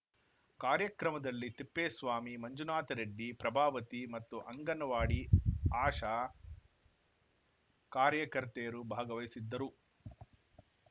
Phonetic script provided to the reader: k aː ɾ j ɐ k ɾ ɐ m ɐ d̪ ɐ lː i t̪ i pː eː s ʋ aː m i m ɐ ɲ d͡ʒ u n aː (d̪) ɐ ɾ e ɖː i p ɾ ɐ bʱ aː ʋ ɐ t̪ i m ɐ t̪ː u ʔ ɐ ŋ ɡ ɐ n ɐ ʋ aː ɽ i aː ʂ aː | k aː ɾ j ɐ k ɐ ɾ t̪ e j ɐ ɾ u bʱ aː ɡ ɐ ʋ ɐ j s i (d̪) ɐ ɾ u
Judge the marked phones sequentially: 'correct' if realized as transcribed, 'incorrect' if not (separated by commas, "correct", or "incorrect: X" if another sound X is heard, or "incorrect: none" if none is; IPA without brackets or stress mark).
incorrect: t̪, incorrect: d̪ː